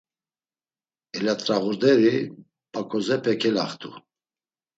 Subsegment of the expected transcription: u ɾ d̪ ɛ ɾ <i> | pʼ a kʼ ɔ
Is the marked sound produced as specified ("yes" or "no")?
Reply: yes